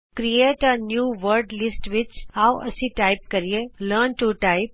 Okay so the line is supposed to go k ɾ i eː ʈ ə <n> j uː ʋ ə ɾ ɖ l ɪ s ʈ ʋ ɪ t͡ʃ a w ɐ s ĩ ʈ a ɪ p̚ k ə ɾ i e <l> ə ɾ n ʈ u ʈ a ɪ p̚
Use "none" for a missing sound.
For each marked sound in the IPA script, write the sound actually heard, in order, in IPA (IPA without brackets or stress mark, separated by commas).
n, l